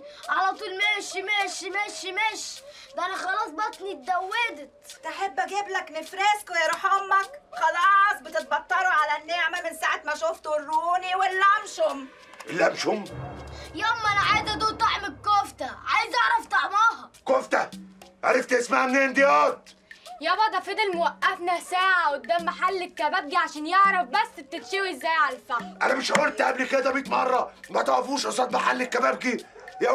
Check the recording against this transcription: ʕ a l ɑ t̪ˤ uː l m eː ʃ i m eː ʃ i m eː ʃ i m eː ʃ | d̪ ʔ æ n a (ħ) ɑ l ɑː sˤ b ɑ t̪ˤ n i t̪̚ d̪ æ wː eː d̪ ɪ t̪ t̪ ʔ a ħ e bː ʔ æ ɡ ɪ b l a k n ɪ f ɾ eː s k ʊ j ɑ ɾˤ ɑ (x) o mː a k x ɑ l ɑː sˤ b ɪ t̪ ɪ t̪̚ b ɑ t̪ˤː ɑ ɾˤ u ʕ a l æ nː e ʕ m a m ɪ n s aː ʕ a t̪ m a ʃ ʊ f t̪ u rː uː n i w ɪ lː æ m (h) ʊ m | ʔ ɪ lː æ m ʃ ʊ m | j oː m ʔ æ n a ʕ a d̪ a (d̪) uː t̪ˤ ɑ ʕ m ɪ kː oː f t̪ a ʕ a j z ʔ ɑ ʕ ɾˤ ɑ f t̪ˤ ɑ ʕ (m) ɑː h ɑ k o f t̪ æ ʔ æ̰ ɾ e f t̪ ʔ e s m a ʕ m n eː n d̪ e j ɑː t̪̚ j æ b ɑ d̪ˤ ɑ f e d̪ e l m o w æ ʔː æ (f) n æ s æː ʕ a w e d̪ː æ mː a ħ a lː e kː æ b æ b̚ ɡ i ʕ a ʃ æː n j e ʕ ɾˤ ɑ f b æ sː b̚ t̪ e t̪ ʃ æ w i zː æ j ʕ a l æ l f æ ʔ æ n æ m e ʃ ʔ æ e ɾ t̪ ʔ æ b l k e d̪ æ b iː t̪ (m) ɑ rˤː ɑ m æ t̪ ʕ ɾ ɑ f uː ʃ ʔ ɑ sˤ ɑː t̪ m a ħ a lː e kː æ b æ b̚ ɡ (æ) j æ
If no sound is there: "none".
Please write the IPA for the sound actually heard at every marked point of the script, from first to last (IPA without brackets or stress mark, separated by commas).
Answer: x, ħ, ʃ, d̪, m, f, m, i